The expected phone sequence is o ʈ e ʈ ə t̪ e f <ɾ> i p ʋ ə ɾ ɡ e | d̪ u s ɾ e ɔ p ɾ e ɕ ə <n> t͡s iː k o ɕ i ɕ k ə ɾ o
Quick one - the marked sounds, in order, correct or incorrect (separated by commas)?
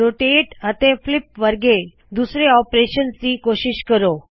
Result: incorrect, correct